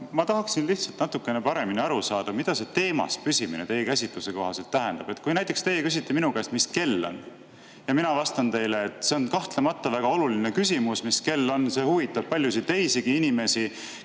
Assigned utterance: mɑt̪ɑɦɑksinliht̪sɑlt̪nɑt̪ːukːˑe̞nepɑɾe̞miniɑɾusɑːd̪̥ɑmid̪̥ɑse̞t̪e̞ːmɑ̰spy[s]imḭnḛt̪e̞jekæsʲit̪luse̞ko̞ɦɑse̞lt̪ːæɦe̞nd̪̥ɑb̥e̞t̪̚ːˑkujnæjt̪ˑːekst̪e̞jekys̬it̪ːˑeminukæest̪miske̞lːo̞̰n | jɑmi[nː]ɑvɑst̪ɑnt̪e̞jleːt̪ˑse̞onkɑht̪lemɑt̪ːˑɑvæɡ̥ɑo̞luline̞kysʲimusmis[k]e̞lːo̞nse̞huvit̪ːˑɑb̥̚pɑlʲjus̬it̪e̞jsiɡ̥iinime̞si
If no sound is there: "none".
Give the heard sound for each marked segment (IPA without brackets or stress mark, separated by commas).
s, n, k